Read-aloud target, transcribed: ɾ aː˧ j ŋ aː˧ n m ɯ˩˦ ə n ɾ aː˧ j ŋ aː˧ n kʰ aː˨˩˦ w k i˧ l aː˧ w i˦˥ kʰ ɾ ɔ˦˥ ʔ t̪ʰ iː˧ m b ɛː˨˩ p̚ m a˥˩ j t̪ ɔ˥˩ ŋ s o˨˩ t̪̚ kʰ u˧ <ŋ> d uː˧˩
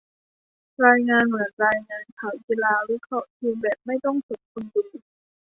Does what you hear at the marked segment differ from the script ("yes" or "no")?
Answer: yes